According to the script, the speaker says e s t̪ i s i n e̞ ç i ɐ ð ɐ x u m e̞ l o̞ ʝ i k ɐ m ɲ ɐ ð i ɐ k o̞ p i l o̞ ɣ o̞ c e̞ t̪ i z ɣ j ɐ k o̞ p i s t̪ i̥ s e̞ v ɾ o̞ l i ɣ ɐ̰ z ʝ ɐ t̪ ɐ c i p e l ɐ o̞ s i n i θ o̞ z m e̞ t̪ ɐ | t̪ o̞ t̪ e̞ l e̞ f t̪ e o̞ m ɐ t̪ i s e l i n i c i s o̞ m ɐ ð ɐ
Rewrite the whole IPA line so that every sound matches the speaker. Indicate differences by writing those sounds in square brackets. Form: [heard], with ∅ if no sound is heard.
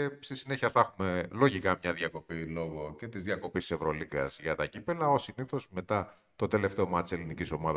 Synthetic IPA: e s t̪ i s i n e̞ ç i ɐ [θ] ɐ x u m e̞ l o̞ ʝ i k ɐ m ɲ ɐ ð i ɐ k o̞ p i l o̞ ɣ o̞ c e̞ t̪ i z [ð] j ɐ k o̞ p i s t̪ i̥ s e̞ v ɾ o̞ l i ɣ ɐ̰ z ʝ ɐ t̪ ɐ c i p e l ɐ o̞ s i n i θ o̞ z m e̞ t̪ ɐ | t̪ o̞ t̪ e̞ l e̞ f t̪ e o̞ m ɐ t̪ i s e l i n i c i s o̞ m ɐ ð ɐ